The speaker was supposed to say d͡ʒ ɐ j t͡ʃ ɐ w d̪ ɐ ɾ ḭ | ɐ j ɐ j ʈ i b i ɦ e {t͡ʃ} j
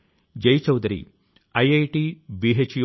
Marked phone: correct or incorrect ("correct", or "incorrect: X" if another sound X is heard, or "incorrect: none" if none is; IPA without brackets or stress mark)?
correct